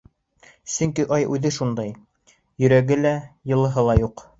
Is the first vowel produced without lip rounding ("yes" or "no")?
no